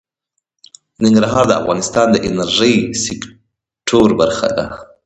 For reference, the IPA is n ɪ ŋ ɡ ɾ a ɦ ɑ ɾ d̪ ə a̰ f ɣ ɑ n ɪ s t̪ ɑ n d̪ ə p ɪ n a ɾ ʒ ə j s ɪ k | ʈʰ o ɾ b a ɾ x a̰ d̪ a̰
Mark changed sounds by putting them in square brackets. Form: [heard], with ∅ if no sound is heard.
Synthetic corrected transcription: n ɪ ŋ ɡ ɾ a ɦ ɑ ɾ d̪ ə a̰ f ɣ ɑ n ɪ s t̪ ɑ n d̪ ə [ʔ] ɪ n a ɾ ʒ ə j s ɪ k | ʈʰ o ɾ b a ɾ x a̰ d̪ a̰